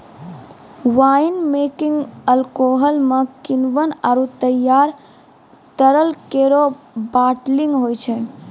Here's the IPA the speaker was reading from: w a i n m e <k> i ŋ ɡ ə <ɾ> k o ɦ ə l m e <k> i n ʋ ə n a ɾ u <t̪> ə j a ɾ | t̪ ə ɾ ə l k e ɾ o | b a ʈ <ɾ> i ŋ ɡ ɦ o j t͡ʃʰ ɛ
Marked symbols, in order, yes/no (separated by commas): yes, no, yes, yes, no